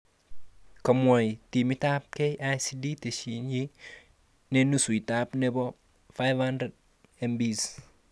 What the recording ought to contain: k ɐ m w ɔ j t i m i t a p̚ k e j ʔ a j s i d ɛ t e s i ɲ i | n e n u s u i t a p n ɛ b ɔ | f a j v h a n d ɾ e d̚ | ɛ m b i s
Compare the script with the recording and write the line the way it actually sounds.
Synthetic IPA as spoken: k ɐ m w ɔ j t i m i t a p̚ k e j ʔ a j s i d i t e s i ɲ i | n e n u s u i t a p n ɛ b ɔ | f a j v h a n d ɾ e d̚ | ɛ m b i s